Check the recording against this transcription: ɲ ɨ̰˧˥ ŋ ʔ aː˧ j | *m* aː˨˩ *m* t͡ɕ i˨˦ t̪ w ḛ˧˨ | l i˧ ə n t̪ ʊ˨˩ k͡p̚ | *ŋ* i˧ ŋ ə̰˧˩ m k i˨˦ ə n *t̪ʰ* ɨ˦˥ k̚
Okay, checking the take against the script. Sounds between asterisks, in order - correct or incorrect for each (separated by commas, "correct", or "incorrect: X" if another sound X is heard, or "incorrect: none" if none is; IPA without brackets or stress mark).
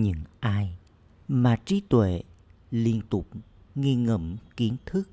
correct, incorrect: none, correct, correct